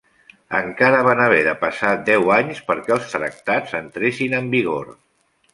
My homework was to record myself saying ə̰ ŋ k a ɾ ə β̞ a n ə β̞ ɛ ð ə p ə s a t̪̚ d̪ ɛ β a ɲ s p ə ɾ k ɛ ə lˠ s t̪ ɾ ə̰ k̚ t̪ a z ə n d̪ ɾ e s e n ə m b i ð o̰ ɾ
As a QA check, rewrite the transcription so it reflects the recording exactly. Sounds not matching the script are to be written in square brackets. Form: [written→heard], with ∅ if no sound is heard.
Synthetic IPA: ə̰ ŋ k a ɾ ə β̞ a n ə β̞ ɛ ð ə p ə s a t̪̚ d̪ ɛ [β→w] a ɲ s p ə ɾ k ɛ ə lˠ s t̪ ɾ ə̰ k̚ t̪ a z ə n [d̪→t̪] ɾ e s [e→i] n ə m b i [ð→ɣ] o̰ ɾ